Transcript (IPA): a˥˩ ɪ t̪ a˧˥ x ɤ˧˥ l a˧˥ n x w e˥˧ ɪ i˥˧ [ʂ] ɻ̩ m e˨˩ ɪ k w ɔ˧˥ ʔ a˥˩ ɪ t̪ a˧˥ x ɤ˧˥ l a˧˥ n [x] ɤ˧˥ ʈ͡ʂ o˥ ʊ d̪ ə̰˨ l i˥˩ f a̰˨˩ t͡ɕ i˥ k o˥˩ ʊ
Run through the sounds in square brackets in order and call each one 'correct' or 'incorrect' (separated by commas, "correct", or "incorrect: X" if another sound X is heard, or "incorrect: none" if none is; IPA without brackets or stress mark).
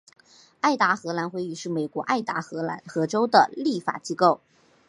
correct, correct